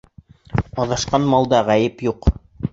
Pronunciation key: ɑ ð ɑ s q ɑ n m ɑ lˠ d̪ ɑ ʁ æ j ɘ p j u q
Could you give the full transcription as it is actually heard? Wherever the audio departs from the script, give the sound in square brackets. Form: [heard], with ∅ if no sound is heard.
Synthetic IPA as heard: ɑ ð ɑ [ʃ] q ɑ n m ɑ lˠ d̪ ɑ ʁ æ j ɘ p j u q

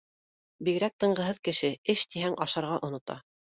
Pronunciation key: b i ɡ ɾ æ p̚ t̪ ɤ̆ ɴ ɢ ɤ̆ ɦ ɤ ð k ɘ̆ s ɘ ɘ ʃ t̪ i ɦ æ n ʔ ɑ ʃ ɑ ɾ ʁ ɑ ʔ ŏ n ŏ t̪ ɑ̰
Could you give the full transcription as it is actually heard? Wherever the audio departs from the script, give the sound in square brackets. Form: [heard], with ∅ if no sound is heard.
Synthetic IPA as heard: b i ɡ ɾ æ [k̚] t̪ ɤ̆ ɴ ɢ ɤ̆ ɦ ɤ ð k ɘ̆ [ʃ] ɘ ɘ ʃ t̪ i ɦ æ [ŋ] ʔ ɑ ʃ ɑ ɾ ʁ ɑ ʔ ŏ n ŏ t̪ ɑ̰

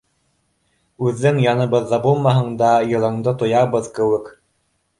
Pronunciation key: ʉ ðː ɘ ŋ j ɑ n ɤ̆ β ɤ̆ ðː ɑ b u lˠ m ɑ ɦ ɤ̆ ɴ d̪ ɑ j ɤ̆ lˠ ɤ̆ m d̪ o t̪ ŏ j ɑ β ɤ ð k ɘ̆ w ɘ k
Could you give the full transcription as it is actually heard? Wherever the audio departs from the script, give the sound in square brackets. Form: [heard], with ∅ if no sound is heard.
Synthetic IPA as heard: ʉ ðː ɘ ŋ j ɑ n ɤ̆ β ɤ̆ ðː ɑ b u lˠ m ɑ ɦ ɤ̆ ɴ d̪ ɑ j ɤ̆ lˠ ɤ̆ [ɴ] d̪ [ɤ] t̪ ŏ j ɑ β ɤ ð k ɘ̆ w ɘ k

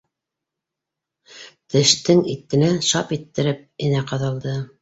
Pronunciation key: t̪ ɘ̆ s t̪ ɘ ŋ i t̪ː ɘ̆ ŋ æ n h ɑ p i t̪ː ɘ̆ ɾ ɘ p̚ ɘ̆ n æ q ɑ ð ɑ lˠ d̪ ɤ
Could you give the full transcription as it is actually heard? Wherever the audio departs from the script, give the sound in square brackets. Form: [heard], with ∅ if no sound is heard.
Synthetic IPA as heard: t̪ ɘ̆ [ʃ] t̪ ɘ ŋ i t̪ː ɘ̆ [n] æ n [ʃ] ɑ p i t̪ː ɘ̆ ɾ ɘ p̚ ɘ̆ n æ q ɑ ð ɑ lˠ d̪ ɤ

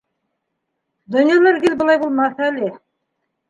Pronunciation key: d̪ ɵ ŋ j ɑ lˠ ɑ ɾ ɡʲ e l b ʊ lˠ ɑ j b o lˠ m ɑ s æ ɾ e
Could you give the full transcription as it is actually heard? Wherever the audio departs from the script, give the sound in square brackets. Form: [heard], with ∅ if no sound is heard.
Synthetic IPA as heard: d̪ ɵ [n] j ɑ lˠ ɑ ɾ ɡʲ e l b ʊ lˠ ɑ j b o lˠ m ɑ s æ [l] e

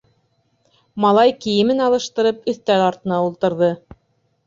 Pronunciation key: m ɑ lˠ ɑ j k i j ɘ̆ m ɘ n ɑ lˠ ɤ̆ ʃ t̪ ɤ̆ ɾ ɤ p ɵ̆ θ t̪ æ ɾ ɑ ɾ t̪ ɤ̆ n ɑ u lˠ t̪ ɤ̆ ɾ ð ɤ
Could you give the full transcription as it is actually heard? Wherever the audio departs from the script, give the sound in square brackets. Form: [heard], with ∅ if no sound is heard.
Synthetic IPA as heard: m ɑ lˠ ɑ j k i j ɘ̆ m ɘ n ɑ lˠ ɤ̆ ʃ t̪ ɤ̆ ɾ ɤ p ɵ̆ θ t̪ æ ɾ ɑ ɾ t̪ ɤ̆ n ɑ u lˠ t̪ ɤ̆ ɾ ð ɤ

